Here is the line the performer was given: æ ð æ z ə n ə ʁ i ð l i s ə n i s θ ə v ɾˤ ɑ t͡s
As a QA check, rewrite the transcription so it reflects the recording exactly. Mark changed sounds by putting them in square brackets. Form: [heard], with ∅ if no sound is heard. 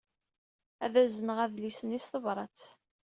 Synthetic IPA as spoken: æ ð æ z ə n ə ʁ [æ] ð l i s ə n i s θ ə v ɾˤ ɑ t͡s